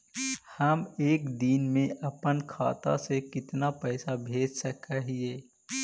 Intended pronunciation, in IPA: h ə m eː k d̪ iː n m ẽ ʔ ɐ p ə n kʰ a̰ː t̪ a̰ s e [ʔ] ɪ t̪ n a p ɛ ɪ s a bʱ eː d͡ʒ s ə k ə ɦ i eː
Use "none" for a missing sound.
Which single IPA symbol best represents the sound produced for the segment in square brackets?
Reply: k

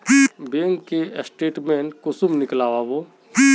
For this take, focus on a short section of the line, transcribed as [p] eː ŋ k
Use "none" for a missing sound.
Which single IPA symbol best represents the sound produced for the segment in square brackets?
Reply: b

